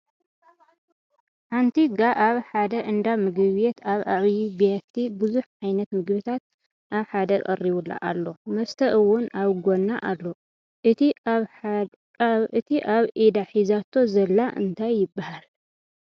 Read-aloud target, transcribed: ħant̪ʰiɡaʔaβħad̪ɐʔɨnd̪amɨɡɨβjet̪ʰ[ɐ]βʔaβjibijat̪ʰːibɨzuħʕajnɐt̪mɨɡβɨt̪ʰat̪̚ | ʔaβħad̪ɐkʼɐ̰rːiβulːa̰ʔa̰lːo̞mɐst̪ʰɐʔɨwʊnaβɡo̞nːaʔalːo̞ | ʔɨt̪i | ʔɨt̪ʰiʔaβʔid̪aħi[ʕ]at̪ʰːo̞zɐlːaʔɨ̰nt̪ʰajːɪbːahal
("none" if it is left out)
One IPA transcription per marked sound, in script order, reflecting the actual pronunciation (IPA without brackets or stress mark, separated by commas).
a, z